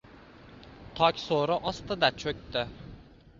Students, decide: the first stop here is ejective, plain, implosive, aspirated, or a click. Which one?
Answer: aspirated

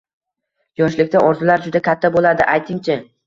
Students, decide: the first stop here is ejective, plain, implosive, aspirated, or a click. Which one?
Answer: plain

